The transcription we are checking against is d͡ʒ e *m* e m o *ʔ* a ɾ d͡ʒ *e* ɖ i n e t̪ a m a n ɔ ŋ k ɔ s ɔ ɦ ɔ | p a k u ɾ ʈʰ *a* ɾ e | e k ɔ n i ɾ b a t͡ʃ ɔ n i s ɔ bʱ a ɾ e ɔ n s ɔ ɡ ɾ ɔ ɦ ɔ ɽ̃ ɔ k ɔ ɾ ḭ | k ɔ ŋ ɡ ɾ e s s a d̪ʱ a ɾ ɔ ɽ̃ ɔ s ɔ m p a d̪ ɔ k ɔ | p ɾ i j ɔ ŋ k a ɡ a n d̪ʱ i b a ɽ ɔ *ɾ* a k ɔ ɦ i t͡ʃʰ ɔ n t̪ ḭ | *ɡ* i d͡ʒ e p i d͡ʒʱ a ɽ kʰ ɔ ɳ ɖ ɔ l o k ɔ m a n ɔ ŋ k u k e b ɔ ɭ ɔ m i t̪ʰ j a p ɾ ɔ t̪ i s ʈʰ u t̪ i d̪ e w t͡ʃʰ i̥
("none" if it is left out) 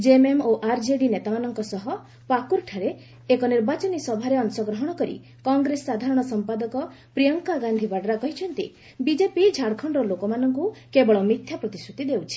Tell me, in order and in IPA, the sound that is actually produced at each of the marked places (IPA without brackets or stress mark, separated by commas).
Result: m, ʔ, e, a, ɾ, b